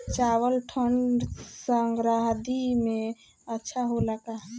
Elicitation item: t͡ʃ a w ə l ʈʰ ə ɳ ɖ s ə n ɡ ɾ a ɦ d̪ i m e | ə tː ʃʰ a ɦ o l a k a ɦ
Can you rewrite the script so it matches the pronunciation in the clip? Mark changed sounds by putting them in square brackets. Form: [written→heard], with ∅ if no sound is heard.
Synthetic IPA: t͡ʃ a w ə l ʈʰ ə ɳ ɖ s ə [n→ŋ] ɡ ɾ a ɦ d̪ i m e | ə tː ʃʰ a ɦ o l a k a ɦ